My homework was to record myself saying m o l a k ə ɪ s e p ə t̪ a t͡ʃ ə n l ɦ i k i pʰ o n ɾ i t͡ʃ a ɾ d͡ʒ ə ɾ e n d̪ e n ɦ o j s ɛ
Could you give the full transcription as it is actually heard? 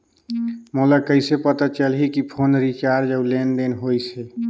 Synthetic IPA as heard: m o l a k ə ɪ s e p ə t̪ a t͡ʃ ə l ɦ i k i pʰ o n ɾ i t͡ʃ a ɾ d͡ʒ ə l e n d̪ e n ɦ o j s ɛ